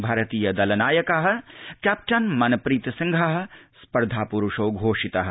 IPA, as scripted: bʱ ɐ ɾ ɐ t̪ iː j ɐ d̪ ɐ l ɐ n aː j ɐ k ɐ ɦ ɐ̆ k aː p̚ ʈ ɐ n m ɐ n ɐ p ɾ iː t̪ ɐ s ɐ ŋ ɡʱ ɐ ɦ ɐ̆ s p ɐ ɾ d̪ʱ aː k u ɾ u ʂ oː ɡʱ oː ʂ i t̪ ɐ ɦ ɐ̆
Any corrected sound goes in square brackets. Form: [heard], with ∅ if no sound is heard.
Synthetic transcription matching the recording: bʱ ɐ ɾ ɐ t̪ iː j ɐ d̪ ɐ l ɐ n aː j ɐ k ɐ ɦ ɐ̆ k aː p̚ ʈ ɐ n m ɐ n ɐ p ɾ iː t̪ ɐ s ɐ ŋ ɡʱ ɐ ɦ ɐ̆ s p ɐ ɾ d̪ʱ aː [p] u ɾ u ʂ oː ɡʱ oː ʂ i t̪ ɐ ɦ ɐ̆